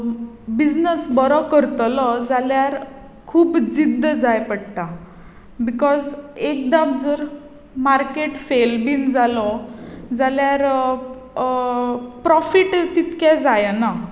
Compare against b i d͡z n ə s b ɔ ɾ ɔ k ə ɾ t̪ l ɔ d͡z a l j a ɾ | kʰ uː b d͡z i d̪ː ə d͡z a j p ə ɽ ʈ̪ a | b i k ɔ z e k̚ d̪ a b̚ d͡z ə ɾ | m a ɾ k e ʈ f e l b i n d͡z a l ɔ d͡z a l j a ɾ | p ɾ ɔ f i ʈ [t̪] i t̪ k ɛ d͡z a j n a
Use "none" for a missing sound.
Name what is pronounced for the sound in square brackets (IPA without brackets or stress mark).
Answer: t̪